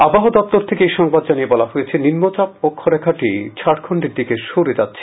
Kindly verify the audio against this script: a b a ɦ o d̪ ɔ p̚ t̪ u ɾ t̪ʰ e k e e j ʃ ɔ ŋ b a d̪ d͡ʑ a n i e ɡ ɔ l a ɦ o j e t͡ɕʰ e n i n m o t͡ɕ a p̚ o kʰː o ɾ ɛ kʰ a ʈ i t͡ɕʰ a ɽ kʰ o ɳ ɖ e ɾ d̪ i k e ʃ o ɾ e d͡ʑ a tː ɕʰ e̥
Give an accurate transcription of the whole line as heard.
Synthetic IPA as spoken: a b a ɦ o d̪ ɔ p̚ t̪ o ɾ t̪ʰ e k e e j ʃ ɔ ŋ b a d̪ d͡ʑ a n i e b ɔ l a ɦ o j e t͡ɕʰ e n i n m o t͡ɕ a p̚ o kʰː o ɾ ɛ kʰ a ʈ i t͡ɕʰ a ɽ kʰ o ɳ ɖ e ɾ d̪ i k e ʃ o ɾ e d͡ʑ a tː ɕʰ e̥